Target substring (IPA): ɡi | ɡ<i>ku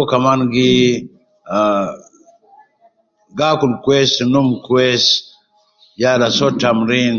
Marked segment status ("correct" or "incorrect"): incorrect